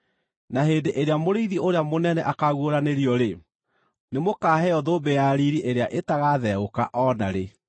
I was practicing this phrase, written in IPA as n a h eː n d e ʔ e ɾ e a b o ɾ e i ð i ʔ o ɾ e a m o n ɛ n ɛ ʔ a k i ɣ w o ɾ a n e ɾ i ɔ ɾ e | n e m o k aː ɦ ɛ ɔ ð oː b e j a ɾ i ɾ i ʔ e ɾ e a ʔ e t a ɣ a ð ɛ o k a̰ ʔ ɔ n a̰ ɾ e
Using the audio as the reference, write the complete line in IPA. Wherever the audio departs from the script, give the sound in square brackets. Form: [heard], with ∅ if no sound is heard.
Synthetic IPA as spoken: n a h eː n d e ʔ e ɾ e a [m] o ɾ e i ð i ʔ o ɾ e a m o n ɛ n ɛ ʔ a k [a] ɣ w o ɾ a n e ɾ i ɔ ɾ e | n e m o k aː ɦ ɛ ɔ ð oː b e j a ɾ i ɾ i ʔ e ɾ e a ʔ e t a ɣ a ð ɛ o k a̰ ʔ ɔ n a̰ ɾ e